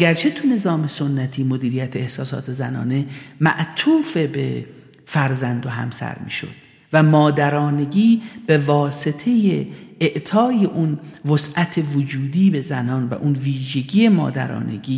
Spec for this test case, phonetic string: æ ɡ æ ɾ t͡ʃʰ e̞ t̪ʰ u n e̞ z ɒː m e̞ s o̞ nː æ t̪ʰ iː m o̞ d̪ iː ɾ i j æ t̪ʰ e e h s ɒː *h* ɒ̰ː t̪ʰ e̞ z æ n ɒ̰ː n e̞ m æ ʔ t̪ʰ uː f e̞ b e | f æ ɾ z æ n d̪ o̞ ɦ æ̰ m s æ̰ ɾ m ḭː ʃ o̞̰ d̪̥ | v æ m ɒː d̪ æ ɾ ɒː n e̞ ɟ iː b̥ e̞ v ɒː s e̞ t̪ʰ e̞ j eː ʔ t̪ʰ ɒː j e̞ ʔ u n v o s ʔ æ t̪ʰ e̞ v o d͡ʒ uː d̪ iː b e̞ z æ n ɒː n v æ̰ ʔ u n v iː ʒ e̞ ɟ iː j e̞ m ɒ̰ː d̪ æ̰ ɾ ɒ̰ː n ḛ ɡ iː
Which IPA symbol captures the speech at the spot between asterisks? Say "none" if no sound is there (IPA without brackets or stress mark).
s